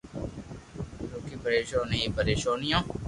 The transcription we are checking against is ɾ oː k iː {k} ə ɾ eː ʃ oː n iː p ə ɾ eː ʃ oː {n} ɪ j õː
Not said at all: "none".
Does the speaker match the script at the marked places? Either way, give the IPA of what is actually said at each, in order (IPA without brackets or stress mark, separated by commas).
p, n